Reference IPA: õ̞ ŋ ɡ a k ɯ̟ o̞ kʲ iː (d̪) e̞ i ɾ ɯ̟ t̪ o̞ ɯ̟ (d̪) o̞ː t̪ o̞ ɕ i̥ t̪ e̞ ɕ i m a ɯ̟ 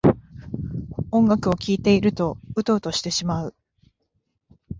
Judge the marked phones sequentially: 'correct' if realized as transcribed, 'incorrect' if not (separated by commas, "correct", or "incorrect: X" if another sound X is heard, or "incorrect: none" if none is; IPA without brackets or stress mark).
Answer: incorrect: t̪, incorrect: t̪